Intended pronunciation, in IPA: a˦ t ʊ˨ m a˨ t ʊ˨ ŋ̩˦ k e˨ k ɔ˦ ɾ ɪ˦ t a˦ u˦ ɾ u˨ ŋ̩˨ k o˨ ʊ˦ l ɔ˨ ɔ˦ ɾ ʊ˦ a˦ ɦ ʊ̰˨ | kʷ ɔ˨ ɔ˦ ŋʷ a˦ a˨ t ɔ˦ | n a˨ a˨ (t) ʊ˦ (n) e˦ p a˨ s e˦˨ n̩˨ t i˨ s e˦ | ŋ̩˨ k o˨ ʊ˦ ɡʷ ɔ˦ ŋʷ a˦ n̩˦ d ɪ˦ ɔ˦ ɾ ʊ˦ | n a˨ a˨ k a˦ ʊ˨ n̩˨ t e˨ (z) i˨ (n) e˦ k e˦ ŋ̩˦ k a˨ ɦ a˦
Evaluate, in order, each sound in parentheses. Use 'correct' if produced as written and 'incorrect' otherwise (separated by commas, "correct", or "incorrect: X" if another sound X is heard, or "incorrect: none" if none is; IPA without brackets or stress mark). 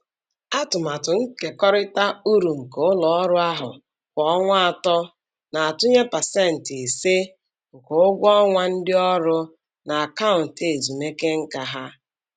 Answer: correct, incorrect: ɲ, correct, incorrect: m